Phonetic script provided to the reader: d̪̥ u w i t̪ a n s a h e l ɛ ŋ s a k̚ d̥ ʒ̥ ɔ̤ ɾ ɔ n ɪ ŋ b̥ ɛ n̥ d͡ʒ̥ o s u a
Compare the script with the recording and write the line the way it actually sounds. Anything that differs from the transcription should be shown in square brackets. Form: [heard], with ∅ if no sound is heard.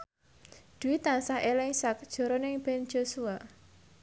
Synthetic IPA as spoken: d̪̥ u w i t̪ a n s a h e l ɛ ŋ s a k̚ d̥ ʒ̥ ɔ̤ ɾ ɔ n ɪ ŋ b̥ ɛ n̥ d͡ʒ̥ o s u a